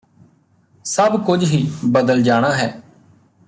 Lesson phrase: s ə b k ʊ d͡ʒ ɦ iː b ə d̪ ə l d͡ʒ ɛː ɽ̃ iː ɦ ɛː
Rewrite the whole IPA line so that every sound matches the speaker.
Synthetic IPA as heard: s ə b k ʊ d͡ʒ ɦ iː b ə d̪ ə l d͡ʒ aː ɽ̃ aː ɦ ɛː

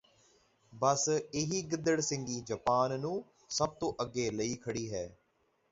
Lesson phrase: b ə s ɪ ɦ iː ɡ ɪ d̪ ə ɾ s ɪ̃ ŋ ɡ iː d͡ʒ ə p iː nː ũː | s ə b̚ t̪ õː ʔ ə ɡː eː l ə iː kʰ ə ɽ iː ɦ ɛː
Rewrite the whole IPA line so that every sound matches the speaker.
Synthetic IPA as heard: b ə s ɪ ɦ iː ɡ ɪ d̪ ə ɽ s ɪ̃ ŋ ɡ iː d͡ʒ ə p aː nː ũː | s ə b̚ t̪ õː ʔ ə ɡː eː l ə iː kʰ ə ɽ iː ɦ ɛː

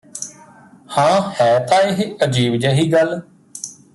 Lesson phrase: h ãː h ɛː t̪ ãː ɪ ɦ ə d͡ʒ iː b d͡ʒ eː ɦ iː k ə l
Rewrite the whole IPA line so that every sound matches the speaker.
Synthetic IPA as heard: h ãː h ɛː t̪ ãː ɪ ɦ ə d͡ʒ iː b d͡ʒ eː ɦ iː ɡ ə l

